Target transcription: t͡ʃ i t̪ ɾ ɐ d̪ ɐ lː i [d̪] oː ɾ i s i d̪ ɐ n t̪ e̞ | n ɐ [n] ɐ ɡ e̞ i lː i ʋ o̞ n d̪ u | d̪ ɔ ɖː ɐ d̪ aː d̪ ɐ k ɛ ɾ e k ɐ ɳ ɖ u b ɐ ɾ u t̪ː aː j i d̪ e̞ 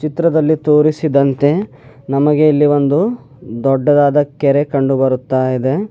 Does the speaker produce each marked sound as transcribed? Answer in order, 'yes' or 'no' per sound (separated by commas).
no, no